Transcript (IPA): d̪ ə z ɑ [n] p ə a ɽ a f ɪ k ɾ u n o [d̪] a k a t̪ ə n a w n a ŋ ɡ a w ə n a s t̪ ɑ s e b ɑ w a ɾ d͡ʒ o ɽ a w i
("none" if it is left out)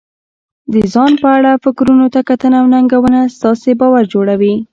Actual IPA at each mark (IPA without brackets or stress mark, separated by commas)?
n, t̪